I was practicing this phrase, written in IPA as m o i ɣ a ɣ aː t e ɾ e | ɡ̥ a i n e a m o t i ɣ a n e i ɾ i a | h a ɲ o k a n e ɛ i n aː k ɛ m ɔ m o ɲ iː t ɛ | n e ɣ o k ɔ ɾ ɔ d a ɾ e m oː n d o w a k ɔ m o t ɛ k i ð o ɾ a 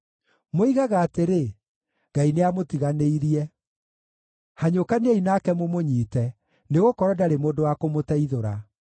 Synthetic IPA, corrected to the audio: m o i ɣ a ɣ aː t e ɾ e | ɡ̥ a i n e a m o t i ɣ a n e i ɾ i ɛ | h a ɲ o k a n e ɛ i n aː k ɛ m o m o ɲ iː t ɛ | n e ɣ o k ɔ ɾ ɔ d a ɾ e m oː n d o w a k o m o t ɛ i ð o ɾ a

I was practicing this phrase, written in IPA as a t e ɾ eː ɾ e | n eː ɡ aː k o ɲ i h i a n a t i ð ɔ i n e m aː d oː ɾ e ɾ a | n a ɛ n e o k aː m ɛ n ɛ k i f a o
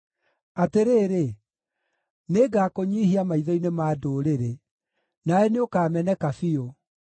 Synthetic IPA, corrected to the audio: a t e ɾ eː ɾ e | n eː ɡ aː k o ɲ i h i a m a i ð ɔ i n e m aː d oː ɾ e ɾ e | n a ɛ n e o k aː m ɛ n ɛ k a f i o

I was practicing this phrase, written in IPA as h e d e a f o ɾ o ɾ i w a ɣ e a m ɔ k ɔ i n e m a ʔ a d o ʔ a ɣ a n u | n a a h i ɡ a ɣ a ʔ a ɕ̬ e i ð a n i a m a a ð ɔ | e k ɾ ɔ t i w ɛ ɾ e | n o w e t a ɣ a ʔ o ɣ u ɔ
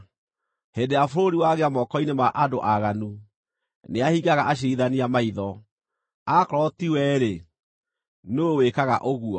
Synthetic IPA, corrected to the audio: h e d e a f o ɾ o ɾ i w a ɣ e a m ɔ k ɔ i n e m a ʔ a d o ʔ a ɣ a n u | n e a h i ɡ a ɣ a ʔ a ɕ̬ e i ð a n i a m a i ð ɔ | a k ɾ ɔ t i w ɛ ɾ e | n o w e k a ɣ a ʔ o ɣ u ɔ

